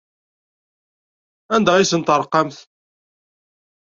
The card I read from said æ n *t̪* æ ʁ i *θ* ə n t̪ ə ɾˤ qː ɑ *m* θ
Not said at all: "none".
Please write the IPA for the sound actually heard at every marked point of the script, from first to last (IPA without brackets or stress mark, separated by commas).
d̪, s, m